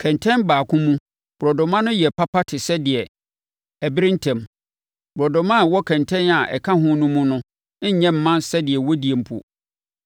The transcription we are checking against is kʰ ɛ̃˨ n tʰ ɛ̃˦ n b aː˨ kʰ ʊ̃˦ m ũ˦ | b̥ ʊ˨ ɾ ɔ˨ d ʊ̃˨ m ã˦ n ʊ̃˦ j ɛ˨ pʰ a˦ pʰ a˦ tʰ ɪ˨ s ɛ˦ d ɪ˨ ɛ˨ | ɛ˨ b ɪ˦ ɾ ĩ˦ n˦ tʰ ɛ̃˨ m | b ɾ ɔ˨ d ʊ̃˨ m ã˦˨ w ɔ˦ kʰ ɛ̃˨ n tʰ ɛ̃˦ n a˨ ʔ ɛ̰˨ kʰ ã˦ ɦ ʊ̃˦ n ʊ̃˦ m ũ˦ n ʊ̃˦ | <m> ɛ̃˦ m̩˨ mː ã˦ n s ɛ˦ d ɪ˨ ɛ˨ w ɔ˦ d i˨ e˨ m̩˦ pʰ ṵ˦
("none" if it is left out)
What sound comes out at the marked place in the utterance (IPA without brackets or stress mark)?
ɲ